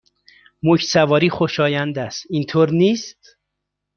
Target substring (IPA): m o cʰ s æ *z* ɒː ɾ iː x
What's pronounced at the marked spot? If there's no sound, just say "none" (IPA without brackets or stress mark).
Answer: v